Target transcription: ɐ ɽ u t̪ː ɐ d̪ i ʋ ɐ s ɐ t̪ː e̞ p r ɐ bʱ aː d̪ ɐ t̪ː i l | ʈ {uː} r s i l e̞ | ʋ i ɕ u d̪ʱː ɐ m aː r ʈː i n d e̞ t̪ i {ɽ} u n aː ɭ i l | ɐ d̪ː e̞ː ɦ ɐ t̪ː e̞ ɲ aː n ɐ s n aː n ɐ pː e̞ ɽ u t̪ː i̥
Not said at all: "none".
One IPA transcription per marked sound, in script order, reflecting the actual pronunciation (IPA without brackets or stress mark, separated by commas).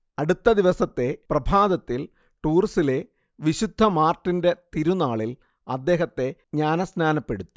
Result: uː, ɾ